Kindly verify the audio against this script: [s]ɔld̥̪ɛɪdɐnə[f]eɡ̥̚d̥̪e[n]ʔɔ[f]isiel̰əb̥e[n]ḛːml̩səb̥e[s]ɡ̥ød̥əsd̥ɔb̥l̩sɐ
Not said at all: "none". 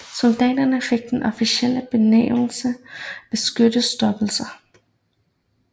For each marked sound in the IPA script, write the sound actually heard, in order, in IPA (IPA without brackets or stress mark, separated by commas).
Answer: s, f, n, f, n, s